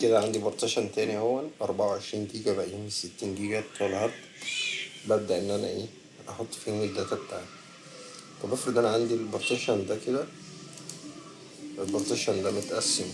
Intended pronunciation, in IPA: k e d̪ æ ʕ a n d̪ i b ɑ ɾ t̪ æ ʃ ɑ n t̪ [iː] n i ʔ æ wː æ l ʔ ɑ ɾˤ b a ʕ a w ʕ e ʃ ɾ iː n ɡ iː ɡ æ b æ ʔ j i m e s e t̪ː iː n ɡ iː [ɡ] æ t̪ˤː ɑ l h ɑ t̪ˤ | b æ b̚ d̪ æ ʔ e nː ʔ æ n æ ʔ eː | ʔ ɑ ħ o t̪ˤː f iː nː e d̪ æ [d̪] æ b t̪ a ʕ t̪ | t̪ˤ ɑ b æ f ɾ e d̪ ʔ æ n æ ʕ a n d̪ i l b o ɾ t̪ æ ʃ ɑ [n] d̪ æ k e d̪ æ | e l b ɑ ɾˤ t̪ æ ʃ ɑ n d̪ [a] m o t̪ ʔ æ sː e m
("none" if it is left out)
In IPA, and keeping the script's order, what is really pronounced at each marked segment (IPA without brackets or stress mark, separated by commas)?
æː, ɡ, t̪, n, æ